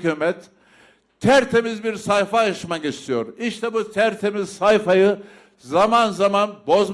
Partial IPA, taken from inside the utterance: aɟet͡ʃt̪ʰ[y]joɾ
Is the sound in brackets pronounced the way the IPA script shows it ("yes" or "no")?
no